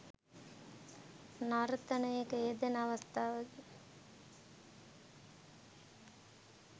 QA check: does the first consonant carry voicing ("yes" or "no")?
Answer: yes